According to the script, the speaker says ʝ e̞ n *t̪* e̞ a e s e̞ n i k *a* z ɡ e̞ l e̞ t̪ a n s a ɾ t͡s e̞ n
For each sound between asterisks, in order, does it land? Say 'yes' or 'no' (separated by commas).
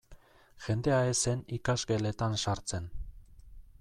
no, yes